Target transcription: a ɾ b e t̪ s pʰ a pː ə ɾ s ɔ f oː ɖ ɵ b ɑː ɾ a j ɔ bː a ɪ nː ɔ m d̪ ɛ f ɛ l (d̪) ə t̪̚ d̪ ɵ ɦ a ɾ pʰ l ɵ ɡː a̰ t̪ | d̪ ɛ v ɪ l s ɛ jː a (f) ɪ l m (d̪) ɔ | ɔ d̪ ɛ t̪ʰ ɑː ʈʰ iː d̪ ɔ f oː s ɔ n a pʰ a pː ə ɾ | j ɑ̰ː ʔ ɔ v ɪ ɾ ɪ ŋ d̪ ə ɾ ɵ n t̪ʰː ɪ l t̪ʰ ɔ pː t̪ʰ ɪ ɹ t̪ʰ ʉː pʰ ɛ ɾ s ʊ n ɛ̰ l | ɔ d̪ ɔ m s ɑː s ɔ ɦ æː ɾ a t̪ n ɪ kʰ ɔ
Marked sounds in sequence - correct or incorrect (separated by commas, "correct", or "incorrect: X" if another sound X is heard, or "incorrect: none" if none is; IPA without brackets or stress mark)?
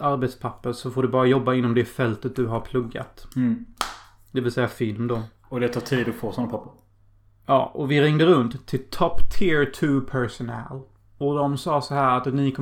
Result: incorrect: t̪, correct, correct